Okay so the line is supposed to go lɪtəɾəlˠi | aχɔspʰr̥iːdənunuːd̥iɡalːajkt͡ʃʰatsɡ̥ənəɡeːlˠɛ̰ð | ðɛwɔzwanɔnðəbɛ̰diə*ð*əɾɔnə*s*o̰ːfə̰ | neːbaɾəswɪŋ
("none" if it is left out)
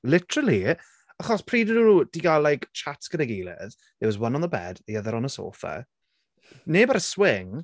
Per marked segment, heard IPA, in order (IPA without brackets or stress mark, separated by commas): ð, s